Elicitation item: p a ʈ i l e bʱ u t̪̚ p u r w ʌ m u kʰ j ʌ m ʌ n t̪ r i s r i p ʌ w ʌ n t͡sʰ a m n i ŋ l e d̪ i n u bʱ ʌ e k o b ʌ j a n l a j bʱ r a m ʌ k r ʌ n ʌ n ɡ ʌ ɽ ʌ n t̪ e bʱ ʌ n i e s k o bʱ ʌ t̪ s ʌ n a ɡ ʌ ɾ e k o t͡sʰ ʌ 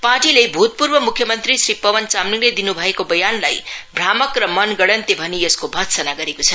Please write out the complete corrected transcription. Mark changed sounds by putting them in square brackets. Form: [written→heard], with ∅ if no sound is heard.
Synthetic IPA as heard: p a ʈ i l e bʱ u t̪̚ p u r [w→b] ʌ m u kʰ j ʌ m ʌ n t̪ r i s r i p ʌ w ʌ n [t͡sʰ→t͡s] a m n i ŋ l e d̪ i n u bʱ ʌ e k o b ʌ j a n l a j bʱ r a m ʌ k r ʌ [n→m] ʌ n ɡ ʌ ɽ ʌ n t̪ e bʱ ʌ n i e s k o bʱ ʌ t̪ s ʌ n a ɡ ʌ ɾ e k o t͡sʰ ʌ